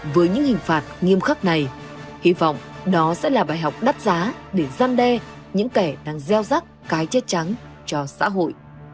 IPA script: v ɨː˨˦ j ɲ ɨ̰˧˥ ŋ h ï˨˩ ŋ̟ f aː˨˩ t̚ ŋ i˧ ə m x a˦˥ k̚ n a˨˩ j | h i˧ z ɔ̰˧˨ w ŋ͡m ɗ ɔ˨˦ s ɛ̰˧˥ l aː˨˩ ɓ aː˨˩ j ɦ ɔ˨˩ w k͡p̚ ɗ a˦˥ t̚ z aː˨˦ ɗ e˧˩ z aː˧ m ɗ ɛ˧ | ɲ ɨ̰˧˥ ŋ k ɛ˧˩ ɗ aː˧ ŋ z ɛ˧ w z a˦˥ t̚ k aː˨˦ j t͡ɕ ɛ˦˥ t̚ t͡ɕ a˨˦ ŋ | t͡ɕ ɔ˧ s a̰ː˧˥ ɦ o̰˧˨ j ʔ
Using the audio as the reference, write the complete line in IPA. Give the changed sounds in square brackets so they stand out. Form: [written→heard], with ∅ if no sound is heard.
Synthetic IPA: v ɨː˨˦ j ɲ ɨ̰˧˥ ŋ h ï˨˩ ŋ̟ f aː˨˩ t̚ ŋ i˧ ə m x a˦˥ k̚ n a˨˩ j | h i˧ [z→v] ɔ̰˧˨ w ŋ͡m ɗ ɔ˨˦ s ɛ̰˧˥ l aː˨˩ ɓ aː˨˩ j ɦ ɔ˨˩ w k͡p̚ ɗ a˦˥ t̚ z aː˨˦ ɗ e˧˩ z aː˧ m ɗ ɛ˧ | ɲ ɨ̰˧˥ ŋ k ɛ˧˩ ɗ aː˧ ŋ z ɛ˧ w z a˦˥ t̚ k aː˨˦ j t͡ɕ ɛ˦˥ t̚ t͡ɕ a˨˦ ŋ | t͡ɕ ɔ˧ s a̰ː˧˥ ɦ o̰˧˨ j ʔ